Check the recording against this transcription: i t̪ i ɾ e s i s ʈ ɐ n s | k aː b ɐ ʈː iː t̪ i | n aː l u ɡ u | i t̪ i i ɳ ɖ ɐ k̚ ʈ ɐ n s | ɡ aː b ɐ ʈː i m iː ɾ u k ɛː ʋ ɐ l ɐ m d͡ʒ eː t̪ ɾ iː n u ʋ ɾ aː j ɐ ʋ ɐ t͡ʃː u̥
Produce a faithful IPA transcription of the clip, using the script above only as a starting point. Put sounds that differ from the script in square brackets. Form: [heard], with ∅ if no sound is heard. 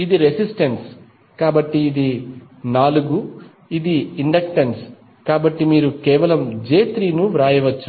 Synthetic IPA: i [d̪] i ɾ e s i s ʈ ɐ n s | k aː b ɐ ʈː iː [d̪] i | n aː l u ɡ u | i [d̪] i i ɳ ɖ ɐ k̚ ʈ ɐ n s | [k] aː b ɐ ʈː i m iː ɾ u k ɛː ʋ ɐ l ɐ m d͡ʒ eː t̪ ɾ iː n u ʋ ɾ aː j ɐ ʋ ɐ t͡ʃː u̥